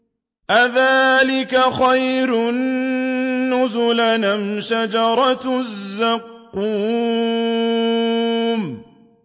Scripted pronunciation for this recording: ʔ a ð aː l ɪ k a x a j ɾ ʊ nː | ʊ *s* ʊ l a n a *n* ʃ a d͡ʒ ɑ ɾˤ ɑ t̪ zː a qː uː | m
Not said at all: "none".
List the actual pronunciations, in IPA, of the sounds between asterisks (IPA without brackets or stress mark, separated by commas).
z, m